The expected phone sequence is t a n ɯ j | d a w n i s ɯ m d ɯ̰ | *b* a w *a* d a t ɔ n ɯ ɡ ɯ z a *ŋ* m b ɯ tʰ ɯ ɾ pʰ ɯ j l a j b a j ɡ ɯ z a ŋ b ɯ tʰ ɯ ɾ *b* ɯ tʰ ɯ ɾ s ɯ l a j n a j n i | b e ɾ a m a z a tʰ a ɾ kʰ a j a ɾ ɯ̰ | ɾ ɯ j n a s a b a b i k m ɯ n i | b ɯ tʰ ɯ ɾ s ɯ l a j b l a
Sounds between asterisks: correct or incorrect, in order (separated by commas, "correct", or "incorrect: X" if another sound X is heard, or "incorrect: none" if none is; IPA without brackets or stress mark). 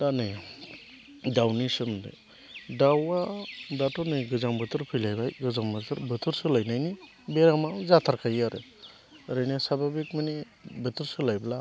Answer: incorrect: d, correct, incorrect: none, correct